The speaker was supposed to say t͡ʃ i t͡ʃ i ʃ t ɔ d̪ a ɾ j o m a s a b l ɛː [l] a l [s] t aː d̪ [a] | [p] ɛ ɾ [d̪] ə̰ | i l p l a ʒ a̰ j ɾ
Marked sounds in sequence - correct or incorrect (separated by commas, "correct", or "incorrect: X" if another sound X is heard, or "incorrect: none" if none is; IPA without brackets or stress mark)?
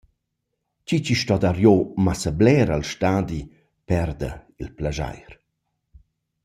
incorrect: ɾ, incorrect: ʃ, incorrect: i, correct, correct